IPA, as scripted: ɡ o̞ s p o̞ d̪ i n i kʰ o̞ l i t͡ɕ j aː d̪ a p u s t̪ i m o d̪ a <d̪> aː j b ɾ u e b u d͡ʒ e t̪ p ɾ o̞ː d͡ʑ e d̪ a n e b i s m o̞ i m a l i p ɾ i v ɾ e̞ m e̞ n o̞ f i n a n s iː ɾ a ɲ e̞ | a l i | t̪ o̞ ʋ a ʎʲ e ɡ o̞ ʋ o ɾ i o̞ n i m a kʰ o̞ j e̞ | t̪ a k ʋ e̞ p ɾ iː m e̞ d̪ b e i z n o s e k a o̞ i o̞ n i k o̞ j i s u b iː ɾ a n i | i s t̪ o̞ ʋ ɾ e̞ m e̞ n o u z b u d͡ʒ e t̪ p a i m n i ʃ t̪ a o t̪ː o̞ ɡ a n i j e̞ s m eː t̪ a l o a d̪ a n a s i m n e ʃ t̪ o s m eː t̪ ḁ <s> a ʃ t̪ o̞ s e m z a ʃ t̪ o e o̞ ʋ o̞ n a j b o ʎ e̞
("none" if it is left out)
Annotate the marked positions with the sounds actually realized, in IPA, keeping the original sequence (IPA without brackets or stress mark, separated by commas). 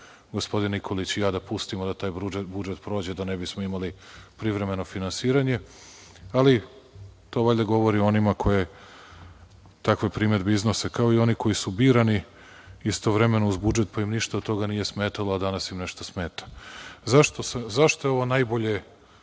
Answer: t̪, z